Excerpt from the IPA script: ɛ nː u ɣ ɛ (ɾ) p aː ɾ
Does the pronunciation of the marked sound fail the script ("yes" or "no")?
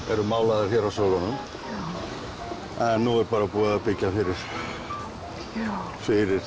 no